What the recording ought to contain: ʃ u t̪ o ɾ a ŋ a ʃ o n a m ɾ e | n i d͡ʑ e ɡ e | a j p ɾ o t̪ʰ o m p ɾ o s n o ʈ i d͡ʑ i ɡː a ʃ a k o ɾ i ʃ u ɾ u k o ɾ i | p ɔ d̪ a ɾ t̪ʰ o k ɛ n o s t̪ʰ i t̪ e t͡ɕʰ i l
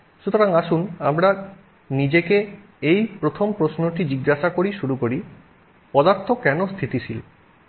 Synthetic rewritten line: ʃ u t̪ o ɾ a ŋ a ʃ u n a m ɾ a | n i d͡ʑ e k e | e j p ɾ o t̪ʰ o m p ɾ o s n o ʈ i d͡ʑ i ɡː a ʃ a k o ɾ i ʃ u ɾ u k o ɾ i | p ɔ d̪ a ɾ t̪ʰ o k ɛ n o s t̪ʰ i t̪ i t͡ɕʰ i l

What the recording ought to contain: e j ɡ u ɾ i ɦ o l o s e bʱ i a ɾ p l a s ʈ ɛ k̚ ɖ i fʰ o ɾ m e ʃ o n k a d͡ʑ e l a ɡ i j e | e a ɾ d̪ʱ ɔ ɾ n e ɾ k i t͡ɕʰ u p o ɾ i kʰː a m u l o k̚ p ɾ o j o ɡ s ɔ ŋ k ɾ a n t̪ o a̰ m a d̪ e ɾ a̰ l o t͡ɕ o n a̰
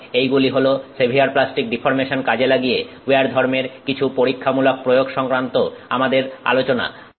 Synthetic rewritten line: e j ɡ u l i ɦ o l o s e bʱ i a ɾ p l a s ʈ i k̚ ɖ i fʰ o ɾ m e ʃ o n k a d͡ʑ e l a ɡ i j e | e a ɾ d̪ʱ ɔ ɾ m e ɾ k i t͡ɕʰ u p o ɾ i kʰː a m u l o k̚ p ɾ o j o ɡ ʃ ɔ ŋ k ɾ a n t̪ o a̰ m a d̪ e ɾ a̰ l o t͡ɕ o n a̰

